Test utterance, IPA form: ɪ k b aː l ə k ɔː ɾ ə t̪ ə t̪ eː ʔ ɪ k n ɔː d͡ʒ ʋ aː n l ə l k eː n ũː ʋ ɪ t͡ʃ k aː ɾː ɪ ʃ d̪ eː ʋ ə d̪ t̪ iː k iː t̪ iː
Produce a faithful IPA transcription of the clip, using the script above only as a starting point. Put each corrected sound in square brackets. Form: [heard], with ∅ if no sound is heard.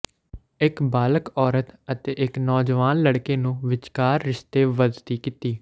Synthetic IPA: ɪ k b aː l ə k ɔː ɾ ə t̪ ə t̪ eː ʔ ɪ k n ɔː d͡ʒ ʋ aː n l ə [ɽ] k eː n ũː ʋ ɪ t͡ʃ k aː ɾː ɪ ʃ [t̪] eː ʋ ə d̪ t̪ iː k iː t̪ iː